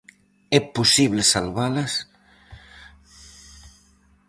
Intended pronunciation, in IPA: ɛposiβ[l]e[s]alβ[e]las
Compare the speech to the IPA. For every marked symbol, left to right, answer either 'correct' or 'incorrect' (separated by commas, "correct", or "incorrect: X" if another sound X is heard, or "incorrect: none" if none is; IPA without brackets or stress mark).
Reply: correct, correct, incorrect: a